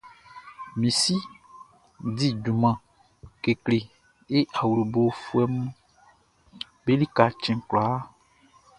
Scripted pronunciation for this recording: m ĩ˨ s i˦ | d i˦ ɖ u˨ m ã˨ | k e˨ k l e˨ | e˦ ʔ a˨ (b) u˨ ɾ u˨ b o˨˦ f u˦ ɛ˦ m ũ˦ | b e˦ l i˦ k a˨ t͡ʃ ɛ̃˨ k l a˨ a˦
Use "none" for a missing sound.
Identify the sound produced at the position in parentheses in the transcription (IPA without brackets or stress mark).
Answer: w